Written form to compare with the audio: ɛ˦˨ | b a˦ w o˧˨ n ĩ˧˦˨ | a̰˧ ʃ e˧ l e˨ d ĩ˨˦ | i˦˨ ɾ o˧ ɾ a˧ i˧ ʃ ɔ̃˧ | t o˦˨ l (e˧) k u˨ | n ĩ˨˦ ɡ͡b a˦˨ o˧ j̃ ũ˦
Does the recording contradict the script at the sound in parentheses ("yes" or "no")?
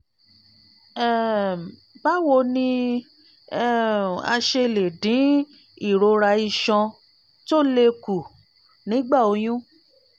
no